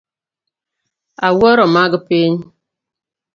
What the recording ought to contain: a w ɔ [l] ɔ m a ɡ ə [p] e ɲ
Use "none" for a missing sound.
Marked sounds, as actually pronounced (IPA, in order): ɾ, p

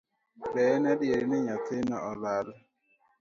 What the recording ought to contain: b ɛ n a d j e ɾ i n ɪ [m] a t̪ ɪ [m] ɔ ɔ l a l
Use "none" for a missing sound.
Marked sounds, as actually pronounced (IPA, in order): ɲ, n

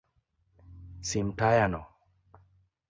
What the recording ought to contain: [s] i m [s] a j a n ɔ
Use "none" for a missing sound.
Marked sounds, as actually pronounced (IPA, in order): s, t

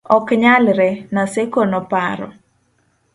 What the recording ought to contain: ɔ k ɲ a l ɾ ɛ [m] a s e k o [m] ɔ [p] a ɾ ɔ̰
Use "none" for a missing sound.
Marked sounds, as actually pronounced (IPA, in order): n, n, p

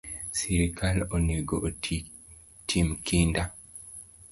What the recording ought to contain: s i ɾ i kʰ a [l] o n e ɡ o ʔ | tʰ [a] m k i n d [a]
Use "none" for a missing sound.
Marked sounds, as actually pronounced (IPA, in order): l, i, a

